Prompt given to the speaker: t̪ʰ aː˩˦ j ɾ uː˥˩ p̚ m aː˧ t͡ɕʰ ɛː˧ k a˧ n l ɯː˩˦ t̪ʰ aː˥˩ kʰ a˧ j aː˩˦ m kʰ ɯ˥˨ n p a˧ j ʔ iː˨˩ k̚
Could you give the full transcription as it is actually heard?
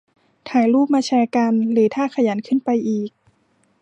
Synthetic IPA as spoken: t̪ʰ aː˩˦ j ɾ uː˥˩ p̚ m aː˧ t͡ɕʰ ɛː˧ k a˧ n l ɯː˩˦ t̪ʰ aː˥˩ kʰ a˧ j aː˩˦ n kʰ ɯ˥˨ n p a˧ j ʔ iː˨˩ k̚

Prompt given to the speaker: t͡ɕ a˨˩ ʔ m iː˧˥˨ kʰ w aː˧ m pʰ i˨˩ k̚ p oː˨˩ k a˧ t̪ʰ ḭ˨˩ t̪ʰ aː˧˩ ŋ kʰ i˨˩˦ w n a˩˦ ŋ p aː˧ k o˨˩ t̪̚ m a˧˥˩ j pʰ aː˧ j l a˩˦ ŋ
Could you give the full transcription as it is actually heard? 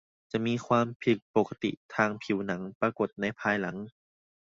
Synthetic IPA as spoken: t͡ɕ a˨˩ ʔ m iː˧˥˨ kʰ w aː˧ m pʰ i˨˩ k̚ p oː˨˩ k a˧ t̪ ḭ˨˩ t̪ʰ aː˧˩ ŋ pʰ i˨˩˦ w n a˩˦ ŋ p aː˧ k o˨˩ t̪̚ n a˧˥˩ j pʰ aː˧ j l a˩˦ ŋ

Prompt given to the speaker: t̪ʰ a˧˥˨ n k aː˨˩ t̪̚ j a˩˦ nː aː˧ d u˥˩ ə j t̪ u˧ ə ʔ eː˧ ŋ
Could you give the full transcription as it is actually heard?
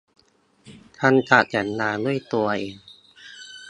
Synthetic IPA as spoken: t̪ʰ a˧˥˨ n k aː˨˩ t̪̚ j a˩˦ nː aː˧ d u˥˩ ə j t̪ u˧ ɐ ʔ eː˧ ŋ

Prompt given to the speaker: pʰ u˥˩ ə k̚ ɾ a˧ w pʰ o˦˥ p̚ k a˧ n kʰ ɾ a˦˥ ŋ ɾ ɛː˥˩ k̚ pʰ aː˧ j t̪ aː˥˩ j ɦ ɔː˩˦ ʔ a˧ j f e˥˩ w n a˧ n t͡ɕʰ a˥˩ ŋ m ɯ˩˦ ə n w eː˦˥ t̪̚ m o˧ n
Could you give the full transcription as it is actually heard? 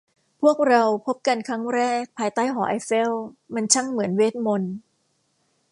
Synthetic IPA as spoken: pʰ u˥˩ ə k̚ ɾ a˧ w pʰ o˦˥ p̚ k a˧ n kʰ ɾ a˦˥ ŋ ɾ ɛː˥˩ k̚ pʰ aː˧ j t̪ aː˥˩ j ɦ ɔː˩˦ ʔ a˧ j f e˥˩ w m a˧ n t͡ɕʰ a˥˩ ŋ m ɯ˩˦ ə n w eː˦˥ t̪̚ m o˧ n

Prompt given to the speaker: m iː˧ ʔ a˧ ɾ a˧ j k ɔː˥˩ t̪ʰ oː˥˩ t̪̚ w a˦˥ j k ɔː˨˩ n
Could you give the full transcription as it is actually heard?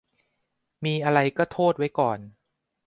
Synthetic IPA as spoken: m iː˧ ʔ a˧ ɾ a˧ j k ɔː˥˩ t̪ʰ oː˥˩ t̪̚ w a˦˥ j k ɔː˨˩ n

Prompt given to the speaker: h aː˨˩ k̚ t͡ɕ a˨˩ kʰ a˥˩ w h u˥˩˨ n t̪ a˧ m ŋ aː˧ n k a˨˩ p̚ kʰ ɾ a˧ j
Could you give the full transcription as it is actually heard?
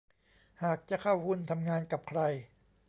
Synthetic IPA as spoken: h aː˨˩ k̚ t͡ɕ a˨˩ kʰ a˥˩ w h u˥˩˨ n t̪ʰ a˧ m ŋ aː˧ n k a˨˩ p̚ kʰ ɾ a˧ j

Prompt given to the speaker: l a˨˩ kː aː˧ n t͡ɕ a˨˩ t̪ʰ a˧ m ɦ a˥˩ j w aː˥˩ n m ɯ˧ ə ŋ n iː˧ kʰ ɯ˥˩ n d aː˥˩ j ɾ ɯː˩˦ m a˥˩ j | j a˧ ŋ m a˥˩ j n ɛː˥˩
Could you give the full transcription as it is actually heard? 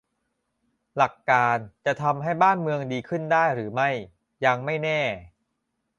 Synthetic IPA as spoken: l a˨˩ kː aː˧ n t͡ɕ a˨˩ t̪ʰ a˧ m ɦ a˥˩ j b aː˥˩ n m ɯ˧ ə ŋ d iː˧ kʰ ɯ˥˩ n d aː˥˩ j ɾ ɯː˩˦ m a˥˩ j | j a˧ ŋ m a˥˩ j n ɛː˥˩

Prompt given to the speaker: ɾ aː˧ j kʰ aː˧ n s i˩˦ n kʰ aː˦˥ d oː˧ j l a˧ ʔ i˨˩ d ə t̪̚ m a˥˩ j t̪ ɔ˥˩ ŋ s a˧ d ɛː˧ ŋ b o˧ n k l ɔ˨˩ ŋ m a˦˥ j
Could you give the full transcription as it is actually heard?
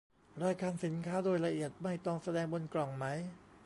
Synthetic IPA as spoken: ɾ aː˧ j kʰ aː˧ n s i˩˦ n kʰ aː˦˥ d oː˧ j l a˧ ʔ i˨˩ ə t̪̚ m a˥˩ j t̪ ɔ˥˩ ŋ s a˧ d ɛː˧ ŋ b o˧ n k l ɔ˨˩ ŋ m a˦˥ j

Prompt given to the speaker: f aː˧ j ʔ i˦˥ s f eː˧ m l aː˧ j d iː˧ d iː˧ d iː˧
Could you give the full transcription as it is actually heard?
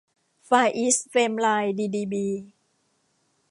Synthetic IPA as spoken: f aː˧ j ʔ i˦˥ s f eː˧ m l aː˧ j d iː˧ d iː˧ b iː˧

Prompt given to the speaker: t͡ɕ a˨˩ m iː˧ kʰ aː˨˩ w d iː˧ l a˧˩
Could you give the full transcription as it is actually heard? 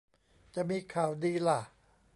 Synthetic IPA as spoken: t͡ɕ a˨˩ m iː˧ kʰ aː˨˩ w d iː˧ l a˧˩

